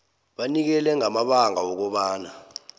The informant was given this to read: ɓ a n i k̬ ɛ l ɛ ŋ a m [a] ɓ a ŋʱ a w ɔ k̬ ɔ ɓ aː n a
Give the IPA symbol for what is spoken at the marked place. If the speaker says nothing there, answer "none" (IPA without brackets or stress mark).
a